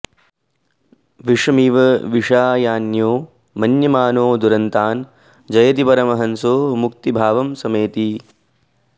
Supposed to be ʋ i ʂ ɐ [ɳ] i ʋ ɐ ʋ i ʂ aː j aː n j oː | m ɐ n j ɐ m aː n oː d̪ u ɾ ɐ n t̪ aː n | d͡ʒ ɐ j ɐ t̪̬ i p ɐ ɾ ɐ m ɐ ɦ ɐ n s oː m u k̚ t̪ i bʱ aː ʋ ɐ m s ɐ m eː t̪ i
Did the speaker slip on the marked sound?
yes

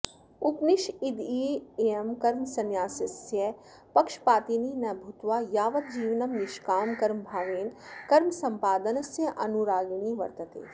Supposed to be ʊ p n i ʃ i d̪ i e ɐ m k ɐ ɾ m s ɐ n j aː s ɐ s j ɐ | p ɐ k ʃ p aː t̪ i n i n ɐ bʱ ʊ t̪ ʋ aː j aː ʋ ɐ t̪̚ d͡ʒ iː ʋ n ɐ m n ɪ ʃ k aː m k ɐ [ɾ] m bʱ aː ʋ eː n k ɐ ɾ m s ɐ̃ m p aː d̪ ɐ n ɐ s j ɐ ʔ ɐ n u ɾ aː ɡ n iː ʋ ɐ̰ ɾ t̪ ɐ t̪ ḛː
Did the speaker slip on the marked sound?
no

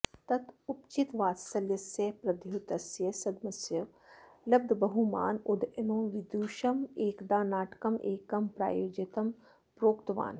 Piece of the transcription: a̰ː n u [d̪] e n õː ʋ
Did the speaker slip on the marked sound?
no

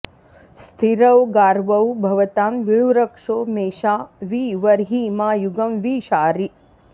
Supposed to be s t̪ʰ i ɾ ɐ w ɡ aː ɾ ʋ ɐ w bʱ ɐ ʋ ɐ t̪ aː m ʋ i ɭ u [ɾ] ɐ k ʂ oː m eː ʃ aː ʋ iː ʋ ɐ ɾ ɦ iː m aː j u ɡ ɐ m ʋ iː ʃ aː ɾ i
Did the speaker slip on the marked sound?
no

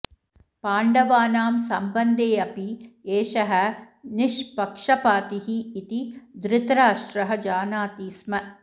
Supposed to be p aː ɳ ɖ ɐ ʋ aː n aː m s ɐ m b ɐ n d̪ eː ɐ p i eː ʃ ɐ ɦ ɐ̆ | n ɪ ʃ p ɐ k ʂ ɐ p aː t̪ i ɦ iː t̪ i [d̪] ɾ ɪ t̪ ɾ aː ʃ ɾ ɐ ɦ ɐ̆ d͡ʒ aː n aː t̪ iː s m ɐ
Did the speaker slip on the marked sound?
no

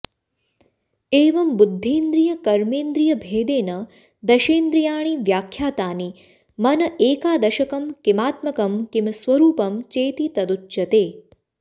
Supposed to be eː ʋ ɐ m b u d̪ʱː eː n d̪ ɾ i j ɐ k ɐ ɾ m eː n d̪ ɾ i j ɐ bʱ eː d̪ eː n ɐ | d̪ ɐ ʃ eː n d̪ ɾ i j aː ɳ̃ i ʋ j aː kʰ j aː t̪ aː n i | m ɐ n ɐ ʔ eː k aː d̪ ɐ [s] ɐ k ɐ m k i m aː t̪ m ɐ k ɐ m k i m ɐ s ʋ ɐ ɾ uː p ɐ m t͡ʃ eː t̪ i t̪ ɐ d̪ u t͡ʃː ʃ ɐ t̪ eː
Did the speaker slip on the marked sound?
yes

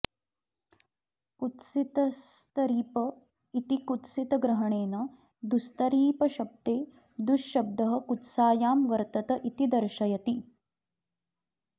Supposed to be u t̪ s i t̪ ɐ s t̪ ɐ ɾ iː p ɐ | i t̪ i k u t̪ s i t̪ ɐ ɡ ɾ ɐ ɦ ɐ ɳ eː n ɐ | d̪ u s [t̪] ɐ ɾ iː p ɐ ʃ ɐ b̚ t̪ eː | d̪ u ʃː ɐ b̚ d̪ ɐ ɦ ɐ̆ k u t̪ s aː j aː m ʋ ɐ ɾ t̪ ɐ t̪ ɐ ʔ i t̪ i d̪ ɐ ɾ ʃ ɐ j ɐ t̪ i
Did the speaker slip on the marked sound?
no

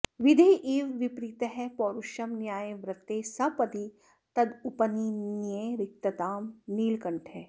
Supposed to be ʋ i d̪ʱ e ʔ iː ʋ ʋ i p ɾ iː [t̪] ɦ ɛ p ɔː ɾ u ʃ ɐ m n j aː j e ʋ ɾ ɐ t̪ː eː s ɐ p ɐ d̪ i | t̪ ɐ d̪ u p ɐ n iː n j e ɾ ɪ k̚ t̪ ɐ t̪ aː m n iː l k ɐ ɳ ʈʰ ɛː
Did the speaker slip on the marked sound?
no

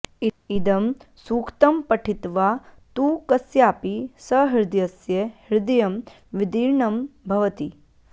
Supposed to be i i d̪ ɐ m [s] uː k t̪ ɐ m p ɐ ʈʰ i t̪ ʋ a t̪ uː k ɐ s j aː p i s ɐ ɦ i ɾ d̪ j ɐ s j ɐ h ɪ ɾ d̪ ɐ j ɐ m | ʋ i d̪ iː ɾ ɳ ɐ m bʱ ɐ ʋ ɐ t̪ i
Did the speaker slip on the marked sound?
no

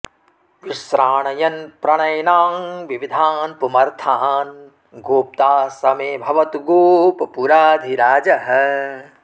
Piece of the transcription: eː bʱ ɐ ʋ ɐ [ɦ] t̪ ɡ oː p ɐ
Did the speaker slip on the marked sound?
yes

